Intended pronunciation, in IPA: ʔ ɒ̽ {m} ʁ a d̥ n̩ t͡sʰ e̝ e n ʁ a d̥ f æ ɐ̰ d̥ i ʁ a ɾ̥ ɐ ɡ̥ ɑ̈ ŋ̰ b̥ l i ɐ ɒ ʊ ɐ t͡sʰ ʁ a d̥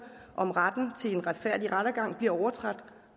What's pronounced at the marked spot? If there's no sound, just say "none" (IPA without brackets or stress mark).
m